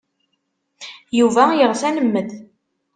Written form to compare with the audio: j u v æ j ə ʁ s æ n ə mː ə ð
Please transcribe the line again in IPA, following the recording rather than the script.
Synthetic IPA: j u v æ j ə ʁ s æ n ə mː ə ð

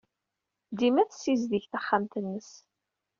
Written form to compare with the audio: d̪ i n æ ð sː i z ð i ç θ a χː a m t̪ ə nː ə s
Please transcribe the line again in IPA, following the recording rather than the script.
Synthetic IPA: d̪ i m æ θ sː i z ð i ç θ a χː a m t̪ ə nː ə s

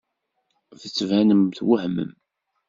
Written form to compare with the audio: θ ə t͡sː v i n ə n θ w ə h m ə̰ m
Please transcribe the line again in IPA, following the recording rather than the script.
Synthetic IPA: θ ə t͡sː v æ n ə m θ w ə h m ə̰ m

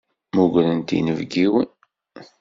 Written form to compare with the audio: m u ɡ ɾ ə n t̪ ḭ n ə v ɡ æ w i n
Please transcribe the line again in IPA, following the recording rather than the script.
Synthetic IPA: m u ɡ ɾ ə n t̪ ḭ n ə v ɡ i w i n

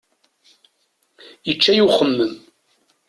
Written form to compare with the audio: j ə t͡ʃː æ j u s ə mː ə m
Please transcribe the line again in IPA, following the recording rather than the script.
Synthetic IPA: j ə t͡ʃː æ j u χ ə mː ə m

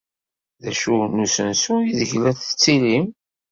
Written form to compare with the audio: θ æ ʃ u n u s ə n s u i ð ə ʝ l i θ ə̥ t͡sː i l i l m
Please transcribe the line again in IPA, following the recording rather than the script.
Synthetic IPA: ð æ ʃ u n u s ə n s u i ð ə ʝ l æ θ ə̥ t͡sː i l i m

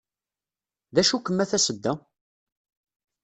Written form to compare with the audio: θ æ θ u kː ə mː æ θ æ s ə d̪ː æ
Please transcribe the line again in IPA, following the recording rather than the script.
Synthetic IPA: ð æ ʃ u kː ə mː æ θ æ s ə d̪ː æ

